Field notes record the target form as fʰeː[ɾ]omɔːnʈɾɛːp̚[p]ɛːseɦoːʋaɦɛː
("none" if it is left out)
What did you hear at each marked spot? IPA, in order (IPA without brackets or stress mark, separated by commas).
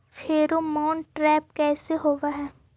ɾ, k